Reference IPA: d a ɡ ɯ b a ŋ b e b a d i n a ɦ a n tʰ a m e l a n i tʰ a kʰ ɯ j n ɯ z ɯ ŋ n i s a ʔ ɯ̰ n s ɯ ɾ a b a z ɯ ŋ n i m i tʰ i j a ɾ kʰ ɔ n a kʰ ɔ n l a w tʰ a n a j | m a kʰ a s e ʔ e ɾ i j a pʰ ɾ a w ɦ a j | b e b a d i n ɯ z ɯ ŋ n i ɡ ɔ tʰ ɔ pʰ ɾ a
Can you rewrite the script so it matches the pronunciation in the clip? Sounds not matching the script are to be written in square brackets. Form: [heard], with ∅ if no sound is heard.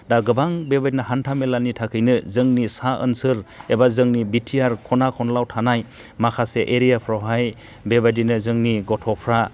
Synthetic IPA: d a ɡ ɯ b a ŋ b e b a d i n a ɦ a n tʰ a m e l a n i tʰ a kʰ ɯ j n ɯ z ɯ ŋ n i s a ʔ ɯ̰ n s ɯ ɾ [e] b a z ɯ ŋ n i [b] i tʰ i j a ɾ kʰ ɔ n a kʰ ɔ n l a w tʰ a n a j | m a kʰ a s e ʔ e ɾ i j a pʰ ɾ a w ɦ a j | b e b a d i n ɯ z ɯ ŋ n i ɡ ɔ tʰ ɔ pʰ ɾ a